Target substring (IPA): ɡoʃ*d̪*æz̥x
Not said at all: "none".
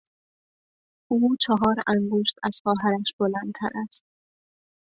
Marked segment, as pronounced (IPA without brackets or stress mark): t̪